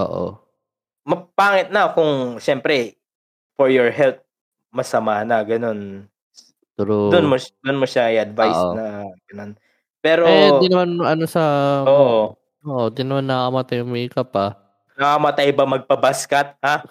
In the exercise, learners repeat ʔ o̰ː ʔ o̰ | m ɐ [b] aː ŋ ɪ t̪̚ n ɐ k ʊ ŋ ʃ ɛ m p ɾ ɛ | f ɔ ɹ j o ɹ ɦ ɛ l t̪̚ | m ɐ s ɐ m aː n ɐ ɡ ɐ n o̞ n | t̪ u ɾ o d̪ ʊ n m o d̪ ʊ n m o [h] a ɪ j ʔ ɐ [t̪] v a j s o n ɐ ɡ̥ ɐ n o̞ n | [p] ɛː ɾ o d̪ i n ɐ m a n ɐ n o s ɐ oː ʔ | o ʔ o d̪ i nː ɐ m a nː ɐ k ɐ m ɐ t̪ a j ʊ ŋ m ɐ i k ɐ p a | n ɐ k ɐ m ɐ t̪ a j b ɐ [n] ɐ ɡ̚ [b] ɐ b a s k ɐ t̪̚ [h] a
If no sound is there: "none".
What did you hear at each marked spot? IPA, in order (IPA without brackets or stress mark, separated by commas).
p, ʃ, d̪, p, m, p, h